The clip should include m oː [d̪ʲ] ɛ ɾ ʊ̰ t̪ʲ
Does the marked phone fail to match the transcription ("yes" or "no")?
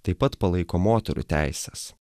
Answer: yes